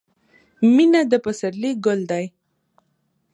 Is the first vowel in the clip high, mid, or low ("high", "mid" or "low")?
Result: high